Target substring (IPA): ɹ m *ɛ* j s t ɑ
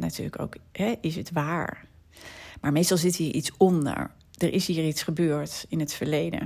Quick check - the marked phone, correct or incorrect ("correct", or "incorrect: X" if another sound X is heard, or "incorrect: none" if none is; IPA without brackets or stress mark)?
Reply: incorrect: e